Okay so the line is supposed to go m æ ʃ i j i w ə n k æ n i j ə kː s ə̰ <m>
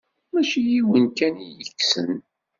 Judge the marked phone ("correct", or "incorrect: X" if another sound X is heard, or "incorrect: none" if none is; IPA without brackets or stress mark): incorrect: n